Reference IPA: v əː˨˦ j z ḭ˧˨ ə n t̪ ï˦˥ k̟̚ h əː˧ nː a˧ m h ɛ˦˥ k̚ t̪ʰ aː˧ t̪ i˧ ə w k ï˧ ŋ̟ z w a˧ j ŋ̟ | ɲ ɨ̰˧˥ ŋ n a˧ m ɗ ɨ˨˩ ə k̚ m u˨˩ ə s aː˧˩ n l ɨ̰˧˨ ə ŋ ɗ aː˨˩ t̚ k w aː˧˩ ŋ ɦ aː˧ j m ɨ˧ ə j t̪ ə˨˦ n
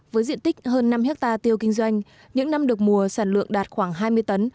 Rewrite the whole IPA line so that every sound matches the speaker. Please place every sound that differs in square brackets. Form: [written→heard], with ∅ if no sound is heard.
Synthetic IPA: v əː˨˦ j z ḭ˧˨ ə n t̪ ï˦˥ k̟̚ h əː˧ nː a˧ m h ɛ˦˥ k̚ [t̪ʰ→t̪] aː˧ t̪ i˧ ə w k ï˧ ŋ̟ z w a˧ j ŋ̟ | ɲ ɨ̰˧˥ ŋ n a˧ m ɗ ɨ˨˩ ə k̚ m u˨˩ ə s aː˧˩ n l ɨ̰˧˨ ə ŋ ɗ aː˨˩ t̚ [k→x] w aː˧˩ ŋ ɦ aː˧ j m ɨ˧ ə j t̪ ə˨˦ n